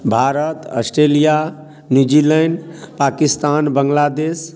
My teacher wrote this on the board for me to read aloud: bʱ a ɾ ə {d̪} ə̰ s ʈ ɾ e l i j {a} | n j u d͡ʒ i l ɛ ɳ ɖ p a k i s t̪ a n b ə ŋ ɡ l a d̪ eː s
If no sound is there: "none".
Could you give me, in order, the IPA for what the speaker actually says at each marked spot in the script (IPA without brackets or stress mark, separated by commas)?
t̪, a